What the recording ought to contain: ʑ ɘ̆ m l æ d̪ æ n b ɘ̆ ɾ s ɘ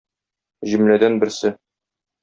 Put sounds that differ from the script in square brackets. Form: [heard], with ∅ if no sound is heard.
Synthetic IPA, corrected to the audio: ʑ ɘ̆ m l æ d̪ æ n b ɘ̆ ɾ s ɘ